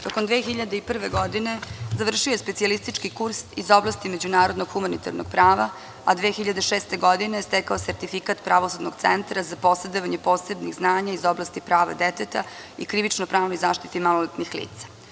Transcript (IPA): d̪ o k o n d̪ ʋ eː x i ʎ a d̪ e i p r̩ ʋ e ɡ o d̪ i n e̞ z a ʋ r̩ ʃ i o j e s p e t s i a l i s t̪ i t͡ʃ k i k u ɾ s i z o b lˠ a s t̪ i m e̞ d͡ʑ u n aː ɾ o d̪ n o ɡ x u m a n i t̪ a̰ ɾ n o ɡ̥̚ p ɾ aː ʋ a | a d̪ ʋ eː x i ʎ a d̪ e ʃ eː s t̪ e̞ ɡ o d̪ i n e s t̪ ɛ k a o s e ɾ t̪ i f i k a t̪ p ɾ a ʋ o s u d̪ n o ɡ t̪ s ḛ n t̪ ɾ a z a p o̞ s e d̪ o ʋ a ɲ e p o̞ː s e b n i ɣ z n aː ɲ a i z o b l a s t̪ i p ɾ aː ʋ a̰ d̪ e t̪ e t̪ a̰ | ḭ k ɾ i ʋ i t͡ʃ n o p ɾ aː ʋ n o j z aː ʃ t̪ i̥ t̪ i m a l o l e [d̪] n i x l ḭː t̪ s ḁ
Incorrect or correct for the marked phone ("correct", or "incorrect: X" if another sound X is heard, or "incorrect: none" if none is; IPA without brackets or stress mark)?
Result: incorrect: t̪